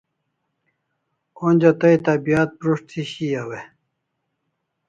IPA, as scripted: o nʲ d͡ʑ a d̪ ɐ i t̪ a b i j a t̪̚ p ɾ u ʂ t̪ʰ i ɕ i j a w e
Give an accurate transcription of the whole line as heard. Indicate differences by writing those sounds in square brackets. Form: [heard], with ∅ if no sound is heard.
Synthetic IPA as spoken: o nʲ d͡ʑ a [t̪] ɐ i t̪ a b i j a t̪̚ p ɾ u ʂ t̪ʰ i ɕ i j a w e